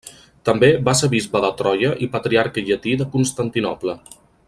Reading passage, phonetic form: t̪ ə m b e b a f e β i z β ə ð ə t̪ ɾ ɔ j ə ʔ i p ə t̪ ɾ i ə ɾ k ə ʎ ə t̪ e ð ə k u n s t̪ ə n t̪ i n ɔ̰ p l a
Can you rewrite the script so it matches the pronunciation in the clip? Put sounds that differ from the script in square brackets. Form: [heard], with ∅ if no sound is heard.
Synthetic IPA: t̪ ə m b e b a [s] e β i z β ə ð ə t̪ ɾ ɔ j ə ʔ i p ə t̪ ɾ i [a] ɾ k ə ʎ ə t̪ [i] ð ə k u n s t̪ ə n t̪ i n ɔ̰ p l [ə]